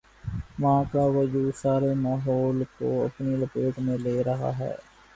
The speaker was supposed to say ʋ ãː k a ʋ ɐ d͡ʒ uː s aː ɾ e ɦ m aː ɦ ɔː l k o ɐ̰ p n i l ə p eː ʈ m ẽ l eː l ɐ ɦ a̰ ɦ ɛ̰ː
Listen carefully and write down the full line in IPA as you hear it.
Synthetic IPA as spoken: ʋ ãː k a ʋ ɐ d͡ʒ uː s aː ɾ e m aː ɦ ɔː l k o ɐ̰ p n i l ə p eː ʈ m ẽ l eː ɾ ɐ ɦ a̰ ɦ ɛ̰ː